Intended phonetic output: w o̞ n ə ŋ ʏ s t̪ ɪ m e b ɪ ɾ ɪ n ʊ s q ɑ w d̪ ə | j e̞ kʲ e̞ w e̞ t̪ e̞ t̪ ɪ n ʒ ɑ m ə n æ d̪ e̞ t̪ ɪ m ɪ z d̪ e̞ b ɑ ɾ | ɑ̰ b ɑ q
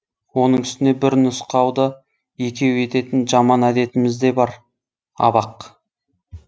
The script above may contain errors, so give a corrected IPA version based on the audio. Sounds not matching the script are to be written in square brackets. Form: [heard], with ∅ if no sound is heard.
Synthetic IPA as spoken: w o̞ n ə [ɴ] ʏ s t̪ ɪ [n] e b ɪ ɾ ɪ n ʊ s q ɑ w d̪ ə | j e̞ kʲ e̞ w e̞ t̪ e̞ t̪ ɪ n ʒ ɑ m [ɑ] n æ d̪ e̞ t̪ ɪ m ɪ z d̪ e̞ b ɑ ɾ | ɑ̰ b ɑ q